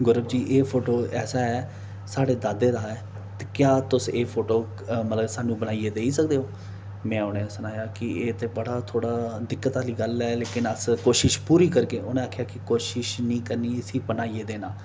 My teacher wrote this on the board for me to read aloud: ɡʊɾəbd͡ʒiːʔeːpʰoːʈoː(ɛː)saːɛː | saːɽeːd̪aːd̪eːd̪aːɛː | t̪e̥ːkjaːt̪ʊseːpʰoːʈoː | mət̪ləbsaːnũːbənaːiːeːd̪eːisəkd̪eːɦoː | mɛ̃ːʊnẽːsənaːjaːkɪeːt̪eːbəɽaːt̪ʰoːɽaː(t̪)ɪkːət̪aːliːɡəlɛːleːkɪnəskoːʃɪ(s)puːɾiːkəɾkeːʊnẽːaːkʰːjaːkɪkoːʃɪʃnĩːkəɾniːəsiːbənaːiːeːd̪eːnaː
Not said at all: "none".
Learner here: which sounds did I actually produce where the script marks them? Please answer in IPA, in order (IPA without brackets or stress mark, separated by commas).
ɛː, d̪, ʃ